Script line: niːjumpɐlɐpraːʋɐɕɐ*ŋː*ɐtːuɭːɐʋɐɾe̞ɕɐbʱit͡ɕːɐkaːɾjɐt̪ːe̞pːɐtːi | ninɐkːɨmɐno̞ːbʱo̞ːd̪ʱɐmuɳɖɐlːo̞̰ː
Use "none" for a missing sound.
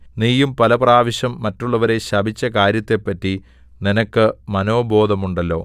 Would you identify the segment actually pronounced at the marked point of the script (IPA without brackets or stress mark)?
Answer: mː